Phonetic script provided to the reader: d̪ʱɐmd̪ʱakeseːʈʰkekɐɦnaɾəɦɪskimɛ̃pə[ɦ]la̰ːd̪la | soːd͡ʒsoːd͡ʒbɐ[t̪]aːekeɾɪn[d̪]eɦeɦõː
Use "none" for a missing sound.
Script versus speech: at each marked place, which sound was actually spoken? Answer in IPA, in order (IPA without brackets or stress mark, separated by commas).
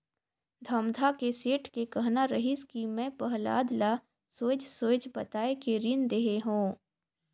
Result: ɦ, t̪, d̪